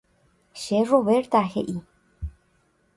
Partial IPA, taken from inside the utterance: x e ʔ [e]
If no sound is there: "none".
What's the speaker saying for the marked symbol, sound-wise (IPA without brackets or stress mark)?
i